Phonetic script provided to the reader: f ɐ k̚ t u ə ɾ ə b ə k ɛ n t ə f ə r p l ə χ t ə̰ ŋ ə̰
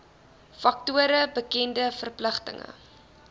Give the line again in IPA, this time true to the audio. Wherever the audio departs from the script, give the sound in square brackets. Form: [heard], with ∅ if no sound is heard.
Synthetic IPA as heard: f ɐ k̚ t u ə ɾ ə b ə k ɛ n [d] ə f ə r p l ə χ t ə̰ ŋ ə̰